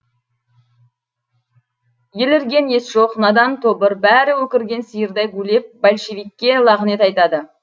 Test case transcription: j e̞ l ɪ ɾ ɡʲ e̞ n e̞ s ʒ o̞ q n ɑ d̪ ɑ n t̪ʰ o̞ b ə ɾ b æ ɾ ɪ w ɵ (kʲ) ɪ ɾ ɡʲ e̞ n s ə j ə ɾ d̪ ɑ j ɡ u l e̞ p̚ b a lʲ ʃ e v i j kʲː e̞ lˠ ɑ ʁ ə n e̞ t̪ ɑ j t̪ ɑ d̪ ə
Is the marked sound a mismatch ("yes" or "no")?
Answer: no